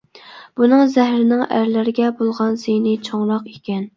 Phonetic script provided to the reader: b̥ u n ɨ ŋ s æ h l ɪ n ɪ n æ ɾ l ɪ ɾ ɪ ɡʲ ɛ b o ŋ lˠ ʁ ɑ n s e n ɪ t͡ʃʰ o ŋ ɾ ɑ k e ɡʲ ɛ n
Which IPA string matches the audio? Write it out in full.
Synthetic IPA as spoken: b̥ u n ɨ ŋ z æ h ɾ ɪ n ɪ ŋ æ ɾ l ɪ ɾ ɪ ɡʲ ɛ b o lˠ ʁ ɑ n s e n ɪ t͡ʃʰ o ŋ ɾ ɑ q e kʲ ɛ n